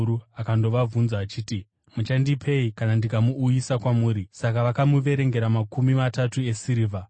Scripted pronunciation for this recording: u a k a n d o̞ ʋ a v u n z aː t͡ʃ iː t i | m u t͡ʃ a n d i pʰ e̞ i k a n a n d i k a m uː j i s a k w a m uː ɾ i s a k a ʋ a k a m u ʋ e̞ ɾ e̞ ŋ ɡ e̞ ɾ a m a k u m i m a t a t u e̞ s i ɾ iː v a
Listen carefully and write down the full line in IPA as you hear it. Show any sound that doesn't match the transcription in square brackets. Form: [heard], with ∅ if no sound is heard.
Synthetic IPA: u a k a n d o̞ ʋ a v u n z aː t͡ʃ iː t i | m u t͡ʃ a n d i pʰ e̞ i k a n a n d i k a m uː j i s a k w a m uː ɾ i s a k a ʋ a k a m u ʋ e̞ ɾ e̞ ŋ ɡ e̞ ɾ a m a k u m i m a t a t u e̞ s i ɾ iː v a